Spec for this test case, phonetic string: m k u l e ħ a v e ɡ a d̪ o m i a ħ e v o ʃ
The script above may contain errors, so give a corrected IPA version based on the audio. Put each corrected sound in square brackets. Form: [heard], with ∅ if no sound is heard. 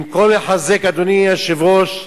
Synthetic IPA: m k [o] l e ħ a [z] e [k] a d̪ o [n] i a [ʃ] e v o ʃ